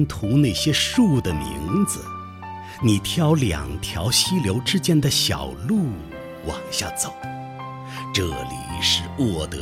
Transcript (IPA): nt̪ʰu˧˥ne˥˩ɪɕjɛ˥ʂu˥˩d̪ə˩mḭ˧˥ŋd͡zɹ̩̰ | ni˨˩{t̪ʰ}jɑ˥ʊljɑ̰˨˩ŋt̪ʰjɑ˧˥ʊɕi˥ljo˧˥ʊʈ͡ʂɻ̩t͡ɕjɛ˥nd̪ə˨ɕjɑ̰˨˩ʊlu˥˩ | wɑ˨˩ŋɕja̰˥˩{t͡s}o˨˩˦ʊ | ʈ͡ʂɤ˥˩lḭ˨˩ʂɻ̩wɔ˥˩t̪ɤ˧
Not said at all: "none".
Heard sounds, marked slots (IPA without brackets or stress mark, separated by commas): t̪ʰ, t͡s